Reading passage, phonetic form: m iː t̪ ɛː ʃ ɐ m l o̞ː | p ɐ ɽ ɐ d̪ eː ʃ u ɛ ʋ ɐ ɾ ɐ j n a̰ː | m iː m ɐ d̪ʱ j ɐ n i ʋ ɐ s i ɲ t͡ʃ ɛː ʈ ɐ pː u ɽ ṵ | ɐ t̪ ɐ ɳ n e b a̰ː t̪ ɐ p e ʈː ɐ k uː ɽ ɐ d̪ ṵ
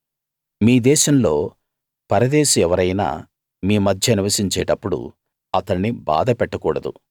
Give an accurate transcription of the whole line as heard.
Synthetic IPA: m iː d̪ ɛː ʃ ɐ m l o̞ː | p ɐ ɾ ɐ d̪ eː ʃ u ɛ ʋ ɐ ɾ ɐ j n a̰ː | m iː m ɐ d̪ʱ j ɐ n i ʋ ɐ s i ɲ t͡ʃ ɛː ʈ ɐ pː u ɽ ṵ | ɐ t̪ ɐ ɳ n i b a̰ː d̪ ɐ p ɛ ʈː ɐ k uː ɽ ɐ d̪ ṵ